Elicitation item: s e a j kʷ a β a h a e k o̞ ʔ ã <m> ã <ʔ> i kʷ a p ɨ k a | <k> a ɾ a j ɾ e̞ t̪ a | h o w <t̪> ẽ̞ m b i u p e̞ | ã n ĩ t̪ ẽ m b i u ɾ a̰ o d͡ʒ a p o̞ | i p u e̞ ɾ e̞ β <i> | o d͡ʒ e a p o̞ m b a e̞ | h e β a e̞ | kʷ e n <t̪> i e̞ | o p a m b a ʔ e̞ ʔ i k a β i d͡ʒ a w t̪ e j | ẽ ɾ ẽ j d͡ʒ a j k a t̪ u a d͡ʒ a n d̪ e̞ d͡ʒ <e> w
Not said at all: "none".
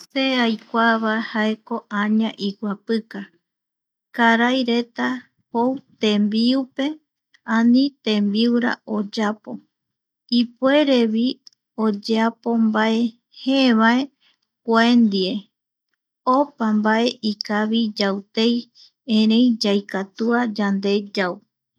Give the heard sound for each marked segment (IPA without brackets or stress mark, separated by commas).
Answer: ɲ, ʔ, k, t̪, i, d̪, a